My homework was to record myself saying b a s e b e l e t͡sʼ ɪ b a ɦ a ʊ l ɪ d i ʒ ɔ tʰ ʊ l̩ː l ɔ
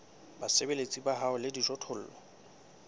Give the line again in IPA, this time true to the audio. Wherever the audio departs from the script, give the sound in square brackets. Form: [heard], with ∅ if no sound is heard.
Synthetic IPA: b a s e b e l e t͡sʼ [i] b a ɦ a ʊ l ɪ d i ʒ ɔ tʰ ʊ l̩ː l ɔ